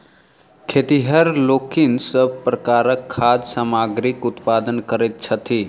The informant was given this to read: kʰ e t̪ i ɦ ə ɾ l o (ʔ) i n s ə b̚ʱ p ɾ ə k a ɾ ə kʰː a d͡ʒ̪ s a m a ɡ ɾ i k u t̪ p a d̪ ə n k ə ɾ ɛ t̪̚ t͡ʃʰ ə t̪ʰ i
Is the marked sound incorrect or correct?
incorrect